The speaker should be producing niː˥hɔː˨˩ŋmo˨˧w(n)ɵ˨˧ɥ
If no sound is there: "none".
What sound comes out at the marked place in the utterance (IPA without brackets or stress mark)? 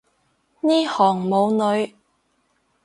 n